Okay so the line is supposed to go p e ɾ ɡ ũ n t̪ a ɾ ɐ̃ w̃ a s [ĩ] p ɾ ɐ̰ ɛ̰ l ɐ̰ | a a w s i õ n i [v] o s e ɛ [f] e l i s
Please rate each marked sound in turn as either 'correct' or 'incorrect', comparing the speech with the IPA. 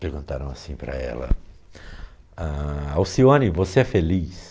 correct, correct, correct

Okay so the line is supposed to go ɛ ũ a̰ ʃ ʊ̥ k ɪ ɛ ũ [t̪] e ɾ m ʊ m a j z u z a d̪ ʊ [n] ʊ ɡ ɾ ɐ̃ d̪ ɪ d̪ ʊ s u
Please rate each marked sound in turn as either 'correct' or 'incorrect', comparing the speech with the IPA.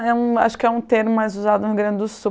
correct, correct

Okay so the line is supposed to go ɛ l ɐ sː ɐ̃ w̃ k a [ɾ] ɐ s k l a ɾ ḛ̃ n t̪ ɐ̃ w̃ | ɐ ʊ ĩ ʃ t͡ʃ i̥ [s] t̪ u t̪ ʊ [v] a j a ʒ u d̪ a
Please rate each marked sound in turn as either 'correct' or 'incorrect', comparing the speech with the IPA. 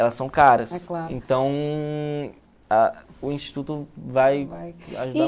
correct, incorrect: none, correct

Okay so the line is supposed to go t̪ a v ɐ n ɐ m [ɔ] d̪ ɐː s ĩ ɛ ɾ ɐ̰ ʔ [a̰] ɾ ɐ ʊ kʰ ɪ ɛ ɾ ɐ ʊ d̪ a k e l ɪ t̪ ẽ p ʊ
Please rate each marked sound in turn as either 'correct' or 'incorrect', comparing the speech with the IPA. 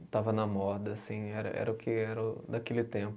correct, incorrect: ɛ̰

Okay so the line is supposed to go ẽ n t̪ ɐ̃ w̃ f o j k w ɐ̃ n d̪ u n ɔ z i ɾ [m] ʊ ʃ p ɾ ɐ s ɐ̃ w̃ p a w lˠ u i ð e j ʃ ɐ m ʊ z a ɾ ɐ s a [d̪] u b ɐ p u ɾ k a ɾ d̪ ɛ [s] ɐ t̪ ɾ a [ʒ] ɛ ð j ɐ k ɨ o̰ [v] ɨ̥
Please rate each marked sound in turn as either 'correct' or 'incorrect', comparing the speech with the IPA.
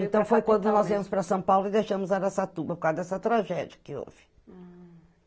correct, incorrect: t̪, correct, correct, correct

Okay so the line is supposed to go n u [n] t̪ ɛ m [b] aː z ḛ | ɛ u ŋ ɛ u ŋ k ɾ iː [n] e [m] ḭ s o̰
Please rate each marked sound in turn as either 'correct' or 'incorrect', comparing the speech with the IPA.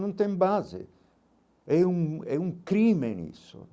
correct, correct, incorrect: m, incorrect: n

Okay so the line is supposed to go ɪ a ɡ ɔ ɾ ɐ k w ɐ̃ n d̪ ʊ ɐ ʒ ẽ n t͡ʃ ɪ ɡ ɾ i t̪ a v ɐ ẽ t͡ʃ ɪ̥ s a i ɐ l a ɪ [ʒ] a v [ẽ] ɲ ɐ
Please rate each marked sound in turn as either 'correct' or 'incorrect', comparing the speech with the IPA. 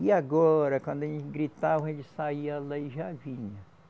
correct, incorrect: ĩ

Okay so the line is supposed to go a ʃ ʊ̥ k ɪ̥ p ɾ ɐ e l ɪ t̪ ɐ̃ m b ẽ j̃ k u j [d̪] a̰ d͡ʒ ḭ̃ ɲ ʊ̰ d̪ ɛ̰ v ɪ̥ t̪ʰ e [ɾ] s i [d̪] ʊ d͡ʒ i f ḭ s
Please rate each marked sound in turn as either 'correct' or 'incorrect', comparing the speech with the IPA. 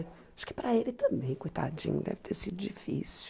incorrect: t̪, correct, correct

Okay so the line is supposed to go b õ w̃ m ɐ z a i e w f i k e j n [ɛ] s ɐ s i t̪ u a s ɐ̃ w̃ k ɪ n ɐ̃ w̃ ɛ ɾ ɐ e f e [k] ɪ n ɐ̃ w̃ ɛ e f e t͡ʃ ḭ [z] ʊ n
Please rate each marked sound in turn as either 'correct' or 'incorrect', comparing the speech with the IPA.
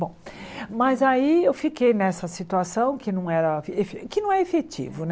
correct, correct, incorrect: v

